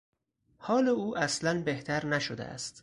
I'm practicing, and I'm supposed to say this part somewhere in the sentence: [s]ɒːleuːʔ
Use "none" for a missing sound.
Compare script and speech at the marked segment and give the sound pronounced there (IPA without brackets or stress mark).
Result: h